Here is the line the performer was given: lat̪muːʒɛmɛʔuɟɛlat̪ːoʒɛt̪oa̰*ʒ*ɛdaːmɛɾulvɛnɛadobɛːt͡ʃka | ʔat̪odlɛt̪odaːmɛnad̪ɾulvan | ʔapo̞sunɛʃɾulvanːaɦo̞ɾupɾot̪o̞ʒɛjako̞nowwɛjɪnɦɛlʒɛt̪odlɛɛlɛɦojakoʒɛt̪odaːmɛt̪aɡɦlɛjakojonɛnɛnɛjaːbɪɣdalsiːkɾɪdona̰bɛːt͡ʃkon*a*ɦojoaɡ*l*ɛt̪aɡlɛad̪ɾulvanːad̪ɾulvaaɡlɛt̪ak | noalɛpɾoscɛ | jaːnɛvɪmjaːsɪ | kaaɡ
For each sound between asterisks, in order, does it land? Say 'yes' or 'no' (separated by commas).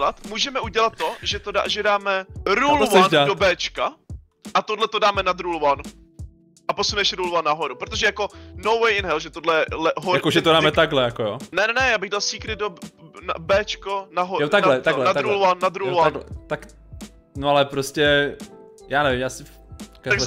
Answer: yes, yes, yes